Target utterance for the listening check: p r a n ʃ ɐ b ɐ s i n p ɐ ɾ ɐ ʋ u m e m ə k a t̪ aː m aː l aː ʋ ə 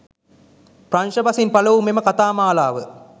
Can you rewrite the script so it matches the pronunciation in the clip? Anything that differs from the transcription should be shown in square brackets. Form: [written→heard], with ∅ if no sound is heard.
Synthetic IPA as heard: p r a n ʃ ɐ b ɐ s i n p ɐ [ɾ→l] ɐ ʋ u m e m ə k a t̪ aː m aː l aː ʋ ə